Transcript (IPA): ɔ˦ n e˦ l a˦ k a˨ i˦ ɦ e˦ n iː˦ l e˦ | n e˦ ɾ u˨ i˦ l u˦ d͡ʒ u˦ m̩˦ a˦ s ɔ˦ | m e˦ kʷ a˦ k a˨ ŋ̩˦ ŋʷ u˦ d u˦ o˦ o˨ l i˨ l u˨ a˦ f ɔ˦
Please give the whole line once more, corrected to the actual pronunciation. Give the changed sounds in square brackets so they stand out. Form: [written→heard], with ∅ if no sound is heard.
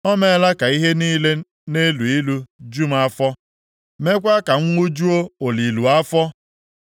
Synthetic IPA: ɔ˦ [n→m] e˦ l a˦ k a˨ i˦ ɦ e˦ n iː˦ l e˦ | n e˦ [ɾ→l] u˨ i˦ l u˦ d͡ʒ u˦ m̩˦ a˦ [s→f] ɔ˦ | m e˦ kʷ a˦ k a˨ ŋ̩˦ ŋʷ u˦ [d→d͡ʒ] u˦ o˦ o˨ l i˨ l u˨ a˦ f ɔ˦